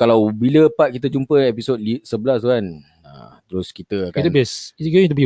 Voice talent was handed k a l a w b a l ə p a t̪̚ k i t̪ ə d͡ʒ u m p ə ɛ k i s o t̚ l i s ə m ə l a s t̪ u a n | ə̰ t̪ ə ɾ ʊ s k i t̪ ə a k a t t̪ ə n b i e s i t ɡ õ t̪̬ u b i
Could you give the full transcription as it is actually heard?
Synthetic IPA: k a l a w b i l ə p a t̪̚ k i t̪ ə d͡ʒ u m p ə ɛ p i s o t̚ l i s ə b ə l a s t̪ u a n | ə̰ t̪ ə ɾ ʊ s k i t̪ ə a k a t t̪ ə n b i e s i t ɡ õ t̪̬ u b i